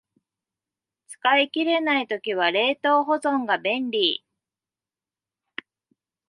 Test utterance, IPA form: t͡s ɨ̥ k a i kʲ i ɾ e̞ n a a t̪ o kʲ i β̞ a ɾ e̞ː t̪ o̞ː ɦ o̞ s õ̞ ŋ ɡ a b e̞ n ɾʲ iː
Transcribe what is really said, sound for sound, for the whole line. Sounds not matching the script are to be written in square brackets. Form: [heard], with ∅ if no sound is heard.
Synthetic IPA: t͡s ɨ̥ k a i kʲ i ɾ e̞ n a [i] t̪ o kʲ i β̞ a ɾ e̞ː t̪ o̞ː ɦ o̞ [z] õ̞ ŋ ɡ a b [ẽ̞] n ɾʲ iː

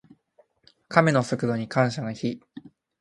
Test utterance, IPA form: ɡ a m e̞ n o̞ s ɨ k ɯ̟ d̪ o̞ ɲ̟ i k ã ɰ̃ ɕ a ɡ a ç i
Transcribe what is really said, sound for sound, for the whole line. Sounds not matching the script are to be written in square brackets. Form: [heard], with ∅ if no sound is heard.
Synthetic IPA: [k] a m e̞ n o̞ s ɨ k ɯ̟ d̪ o̞ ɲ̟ i k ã ɰ̃ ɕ a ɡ a ç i

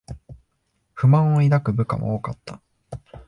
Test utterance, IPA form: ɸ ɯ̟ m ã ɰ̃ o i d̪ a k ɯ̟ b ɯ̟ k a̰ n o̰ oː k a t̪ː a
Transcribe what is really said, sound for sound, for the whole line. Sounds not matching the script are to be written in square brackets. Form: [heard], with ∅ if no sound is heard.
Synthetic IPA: ɸ ɯ̟ m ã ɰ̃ o i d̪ a k ɯ̟ b ɯ̟ k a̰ [m] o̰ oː k a t̪ː a

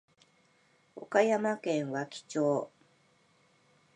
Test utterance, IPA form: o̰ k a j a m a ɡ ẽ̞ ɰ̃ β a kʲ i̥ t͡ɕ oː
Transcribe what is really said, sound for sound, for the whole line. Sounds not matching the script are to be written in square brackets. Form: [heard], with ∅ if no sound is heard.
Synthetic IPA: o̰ k a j a m a [k] ẽ̞ ɰ̃ β a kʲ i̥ t͡ɕ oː

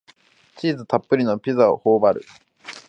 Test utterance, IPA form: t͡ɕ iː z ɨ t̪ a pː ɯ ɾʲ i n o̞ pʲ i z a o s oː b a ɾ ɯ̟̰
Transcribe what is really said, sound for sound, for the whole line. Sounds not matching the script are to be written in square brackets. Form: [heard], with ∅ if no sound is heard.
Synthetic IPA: t͡ɕ iː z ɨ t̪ a pː ɯ ɾʲ i n o̞ pʲ i z a o [h] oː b a ɾ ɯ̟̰

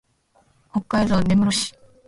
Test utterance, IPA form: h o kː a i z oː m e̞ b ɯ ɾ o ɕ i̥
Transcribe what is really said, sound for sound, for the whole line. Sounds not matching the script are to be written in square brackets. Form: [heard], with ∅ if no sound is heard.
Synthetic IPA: h o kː a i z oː [n] e̞ [m] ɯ ɾ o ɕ i̥

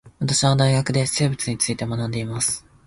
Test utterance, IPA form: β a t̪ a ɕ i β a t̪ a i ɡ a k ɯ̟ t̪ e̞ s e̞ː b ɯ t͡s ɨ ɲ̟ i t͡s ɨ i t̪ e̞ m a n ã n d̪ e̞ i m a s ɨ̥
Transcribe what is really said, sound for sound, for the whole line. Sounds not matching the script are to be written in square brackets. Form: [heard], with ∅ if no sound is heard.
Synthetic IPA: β a t̪ a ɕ i β a [d̪] a i ɡ a k ɯ̟ [d̪] e̞ s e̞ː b ɯ t͡s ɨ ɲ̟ i t͡s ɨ i t̪ e̞ m a n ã n d̪ e̞ i m a s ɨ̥

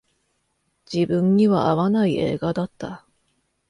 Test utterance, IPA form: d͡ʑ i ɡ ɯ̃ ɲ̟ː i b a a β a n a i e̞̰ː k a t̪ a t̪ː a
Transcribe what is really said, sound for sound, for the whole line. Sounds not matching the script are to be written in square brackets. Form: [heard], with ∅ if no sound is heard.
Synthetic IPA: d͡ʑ i [b] ɯ̃ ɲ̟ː i [β] a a β a n a i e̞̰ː [ɡ] a [d̪] a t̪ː a

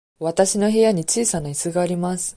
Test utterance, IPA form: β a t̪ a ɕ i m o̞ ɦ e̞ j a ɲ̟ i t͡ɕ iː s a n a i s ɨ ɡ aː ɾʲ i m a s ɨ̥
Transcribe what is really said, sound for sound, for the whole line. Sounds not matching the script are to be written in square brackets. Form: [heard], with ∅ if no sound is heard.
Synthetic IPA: β a t̪ a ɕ i [n] o̞ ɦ e̞ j a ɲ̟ i t͡ɕ iː s a n a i s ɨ ɡ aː ɾʲ i m a s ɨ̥

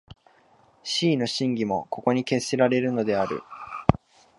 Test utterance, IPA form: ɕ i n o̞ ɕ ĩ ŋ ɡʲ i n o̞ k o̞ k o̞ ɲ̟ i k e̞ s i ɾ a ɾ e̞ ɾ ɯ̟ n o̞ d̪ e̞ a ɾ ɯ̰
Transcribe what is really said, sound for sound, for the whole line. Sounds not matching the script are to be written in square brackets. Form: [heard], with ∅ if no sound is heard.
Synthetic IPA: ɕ [iː] n o̞ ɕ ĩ ŋ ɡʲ i [m] o̞ k o̞ k o̞ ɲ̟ i k e̞ s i ɾ a ɾ e̞ ɾ ɯ̟ n o̞ d̪ e̞ a ɾ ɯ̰

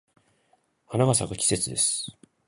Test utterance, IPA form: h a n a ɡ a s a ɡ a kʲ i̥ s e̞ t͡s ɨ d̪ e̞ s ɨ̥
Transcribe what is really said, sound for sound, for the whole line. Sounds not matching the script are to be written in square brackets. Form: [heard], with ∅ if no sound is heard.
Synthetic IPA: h a n a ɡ a s a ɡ a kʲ i̥ s e̞ t͡s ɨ d̪ e̞ s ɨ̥

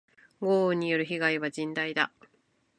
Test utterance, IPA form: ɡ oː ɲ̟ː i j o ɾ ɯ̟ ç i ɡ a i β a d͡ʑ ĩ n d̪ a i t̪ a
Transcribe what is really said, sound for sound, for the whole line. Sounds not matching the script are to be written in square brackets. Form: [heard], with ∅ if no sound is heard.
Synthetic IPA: ɡ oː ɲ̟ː i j o ɾ ɯ̟ ç i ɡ a i β a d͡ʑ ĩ n d̪ a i [d̪] a

